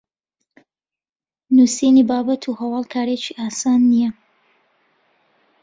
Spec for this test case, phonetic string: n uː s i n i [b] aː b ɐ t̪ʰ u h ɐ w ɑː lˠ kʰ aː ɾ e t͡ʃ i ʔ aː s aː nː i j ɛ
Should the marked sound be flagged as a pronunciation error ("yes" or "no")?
no